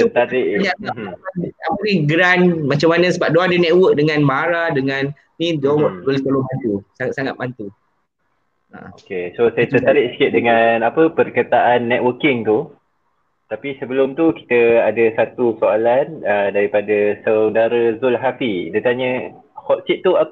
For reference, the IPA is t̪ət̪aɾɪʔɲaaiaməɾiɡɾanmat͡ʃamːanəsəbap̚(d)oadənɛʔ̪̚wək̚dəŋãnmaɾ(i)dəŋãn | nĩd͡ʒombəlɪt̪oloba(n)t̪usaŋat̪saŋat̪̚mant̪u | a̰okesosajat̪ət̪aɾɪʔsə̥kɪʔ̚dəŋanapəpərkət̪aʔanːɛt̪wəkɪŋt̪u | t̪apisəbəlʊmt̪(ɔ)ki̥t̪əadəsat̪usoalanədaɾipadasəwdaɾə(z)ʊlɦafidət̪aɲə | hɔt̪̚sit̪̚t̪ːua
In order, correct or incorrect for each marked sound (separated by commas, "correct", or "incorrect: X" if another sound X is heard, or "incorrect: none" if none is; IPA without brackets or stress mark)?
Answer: correct, incorrect: a, correct, incorrect: u, correct